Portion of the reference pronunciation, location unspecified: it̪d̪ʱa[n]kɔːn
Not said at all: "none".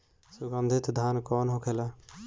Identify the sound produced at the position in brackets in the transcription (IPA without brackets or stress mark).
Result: n